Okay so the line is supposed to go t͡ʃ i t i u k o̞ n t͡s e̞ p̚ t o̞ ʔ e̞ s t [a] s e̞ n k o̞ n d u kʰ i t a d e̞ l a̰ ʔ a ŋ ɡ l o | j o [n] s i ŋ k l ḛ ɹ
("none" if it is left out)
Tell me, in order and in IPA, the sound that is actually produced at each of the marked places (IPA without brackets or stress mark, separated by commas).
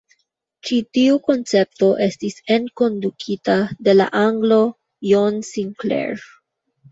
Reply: i, n